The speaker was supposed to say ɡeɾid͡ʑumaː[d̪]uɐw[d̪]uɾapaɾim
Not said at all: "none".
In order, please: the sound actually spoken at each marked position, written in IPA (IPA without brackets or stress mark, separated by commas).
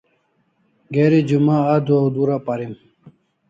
d̪, d̪